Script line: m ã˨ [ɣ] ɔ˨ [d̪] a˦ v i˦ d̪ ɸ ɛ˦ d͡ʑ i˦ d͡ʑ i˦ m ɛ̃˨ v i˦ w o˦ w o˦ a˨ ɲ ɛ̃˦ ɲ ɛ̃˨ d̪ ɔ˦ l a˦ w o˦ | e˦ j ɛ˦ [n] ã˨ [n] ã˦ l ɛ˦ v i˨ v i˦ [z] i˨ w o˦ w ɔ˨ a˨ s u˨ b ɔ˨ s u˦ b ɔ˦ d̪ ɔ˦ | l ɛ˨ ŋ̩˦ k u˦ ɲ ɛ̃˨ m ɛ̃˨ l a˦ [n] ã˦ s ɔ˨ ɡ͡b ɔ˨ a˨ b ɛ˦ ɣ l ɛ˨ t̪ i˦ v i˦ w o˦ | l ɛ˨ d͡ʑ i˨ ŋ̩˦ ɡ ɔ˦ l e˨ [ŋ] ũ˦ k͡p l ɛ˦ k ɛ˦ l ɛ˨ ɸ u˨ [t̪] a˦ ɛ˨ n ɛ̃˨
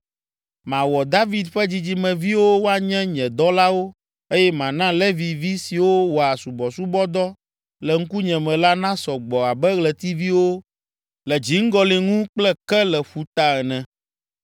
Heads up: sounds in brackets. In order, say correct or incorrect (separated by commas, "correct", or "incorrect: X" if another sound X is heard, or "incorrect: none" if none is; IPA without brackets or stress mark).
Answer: incorrect: w, correct, incorrect: m, correct, incorrect: s, correct, correct, correct